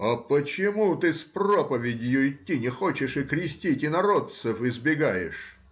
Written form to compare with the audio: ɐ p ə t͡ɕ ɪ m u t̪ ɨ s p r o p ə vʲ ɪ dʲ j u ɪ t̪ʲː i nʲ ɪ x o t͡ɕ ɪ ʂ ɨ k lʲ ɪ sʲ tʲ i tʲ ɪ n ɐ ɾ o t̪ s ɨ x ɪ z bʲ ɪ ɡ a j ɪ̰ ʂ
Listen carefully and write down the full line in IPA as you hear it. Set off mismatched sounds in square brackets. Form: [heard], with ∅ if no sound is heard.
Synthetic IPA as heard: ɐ p ə t͡ɕ ɪ m u t̪ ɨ s p r o p ə vʲ ɪ dʲ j [ʊ] ɪ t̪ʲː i nʲ ɪ x o t͡ɕ ɪ ʂ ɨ k [ɾʲ] ɪ sʲ tʲ i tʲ ɪ n ɐ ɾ o t̪ s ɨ [f] ɪ z bʲ ɪ ɡ a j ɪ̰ ʂ